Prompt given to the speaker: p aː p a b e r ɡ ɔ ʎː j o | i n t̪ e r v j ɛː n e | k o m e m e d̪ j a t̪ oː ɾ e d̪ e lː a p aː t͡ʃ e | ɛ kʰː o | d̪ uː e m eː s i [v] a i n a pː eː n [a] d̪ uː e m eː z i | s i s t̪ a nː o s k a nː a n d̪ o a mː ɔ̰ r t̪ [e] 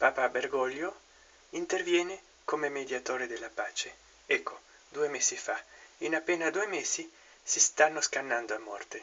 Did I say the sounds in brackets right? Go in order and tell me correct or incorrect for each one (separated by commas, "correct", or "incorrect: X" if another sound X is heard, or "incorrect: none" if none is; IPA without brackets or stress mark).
incorrect: f, correct, correct